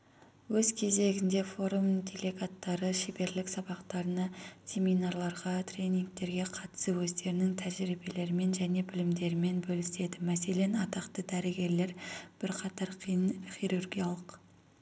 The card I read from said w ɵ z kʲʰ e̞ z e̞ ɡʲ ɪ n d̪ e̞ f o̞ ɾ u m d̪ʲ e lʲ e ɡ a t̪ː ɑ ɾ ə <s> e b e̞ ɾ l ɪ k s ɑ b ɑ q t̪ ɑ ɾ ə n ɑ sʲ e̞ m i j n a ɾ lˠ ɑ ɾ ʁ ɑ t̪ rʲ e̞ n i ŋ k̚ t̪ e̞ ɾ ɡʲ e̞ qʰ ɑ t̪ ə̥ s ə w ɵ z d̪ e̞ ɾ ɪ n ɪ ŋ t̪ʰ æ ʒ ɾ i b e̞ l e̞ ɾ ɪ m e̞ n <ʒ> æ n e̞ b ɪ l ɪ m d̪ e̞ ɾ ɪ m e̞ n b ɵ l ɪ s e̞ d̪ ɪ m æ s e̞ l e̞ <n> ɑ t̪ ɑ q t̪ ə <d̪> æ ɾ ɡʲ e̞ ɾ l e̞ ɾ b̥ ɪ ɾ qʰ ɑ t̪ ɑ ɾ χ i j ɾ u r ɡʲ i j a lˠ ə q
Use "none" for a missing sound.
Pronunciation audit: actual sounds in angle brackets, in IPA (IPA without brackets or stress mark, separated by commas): ʃ, ʒ, n, d̪